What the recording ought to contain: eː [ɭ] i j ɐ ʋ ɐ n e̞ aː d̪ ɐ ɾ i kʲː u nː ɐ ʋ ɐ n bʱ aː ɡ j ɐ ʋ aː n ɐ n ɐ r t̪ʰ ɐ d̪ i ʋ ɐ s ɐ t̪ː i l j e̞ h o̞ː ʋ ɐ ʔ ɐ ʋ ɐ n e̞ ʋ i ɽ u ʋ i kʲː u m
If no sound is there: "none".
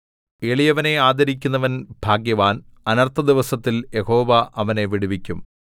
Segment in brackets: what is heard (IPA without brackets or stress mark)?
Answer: ɭ